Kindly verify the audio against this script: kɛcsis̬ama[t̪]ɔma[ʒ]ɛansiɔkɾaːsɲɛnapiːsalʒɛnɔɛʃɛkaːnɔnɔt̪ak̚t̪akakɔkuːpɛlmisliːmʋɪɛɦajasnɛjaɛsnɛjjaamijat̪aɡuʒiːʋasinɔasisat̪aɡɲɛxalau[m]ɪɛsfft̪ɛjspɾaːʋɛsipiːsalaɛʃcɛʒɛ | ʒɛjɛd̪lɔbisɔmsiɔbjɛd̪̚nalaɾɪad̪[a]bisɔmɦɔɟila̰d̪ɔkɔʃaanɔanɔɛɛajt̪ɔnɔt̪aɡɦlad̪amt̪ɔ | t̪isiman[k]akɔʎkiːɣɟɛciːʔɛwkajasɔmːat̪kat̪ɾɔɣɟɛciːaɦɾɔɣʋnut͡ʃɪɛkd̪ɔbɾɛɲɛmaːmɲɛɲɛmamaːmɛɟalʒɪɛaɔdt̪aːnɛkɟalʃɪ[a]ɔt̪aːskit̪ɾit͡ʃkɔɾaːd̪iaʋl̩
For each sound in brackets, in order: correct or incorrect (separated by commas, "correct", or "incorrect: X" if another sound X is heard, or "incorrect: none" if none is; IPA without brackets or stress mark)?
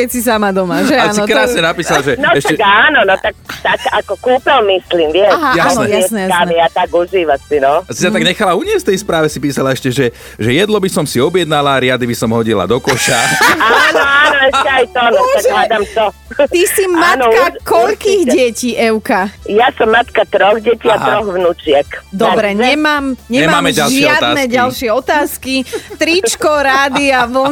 incorrect: d̪, correct, incorrect: ɲ, incorrect: i, correct, incorrect: ɛ